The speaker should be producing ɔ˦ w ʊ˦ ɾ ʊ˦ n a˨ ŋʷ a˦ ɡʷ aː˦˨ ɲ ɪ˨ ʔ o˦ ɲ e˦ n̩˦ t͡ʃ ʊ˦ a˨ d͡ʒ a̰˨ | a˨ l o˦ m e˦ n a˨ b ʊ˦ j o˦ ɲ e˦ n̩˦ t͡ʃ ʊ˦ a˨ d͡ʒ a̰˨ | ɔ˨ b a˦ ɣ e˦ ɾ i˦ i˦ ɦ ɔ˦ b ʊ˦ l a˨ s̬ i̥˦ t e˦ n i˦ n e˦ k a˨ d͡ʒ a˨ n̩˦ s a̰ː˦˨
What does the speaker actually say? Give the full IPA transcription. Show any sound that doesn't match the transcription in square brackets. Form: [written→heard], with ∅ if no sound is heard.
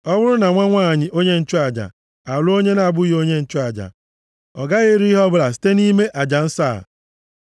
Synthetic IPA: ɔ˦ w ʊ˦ ɾ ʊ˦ n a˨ ŋʷ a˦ [ɡʷ→ŋʷ] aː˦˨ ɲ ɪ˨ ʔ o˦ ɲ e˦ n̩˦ t͡ʃ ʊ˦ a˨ d͡ʒ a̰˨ | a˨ l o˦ [m→ɲ] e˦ n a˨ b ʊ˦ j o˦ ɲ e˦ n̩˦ t͡ʃ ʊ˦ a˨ d͡ʒ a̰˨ | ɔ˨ [b→ɡ] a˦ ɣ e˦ ɾ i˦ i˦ ɦ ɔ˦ b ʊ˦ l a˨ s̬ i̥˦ t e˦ n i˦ [n→m] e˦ [k→ʔ] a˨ d͡ʒ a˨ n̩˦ s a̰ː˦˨